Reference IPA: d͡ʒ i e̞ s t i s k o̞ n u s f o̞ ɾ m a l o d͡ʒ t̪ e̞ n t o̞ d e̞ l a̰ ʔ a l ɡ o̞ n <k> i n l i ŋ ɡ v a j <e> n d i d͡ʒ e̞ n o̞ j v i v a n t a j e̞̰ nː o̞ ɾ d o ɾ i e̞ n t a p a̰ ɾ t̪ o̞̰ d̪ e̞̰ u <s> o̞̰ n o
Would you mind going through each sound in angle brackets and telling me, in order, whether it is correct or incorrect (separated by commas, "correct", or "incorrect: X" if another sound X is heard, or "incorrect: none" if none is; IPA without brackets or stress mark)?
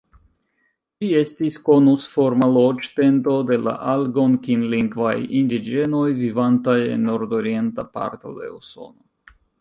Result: correct, incorrect: i, correct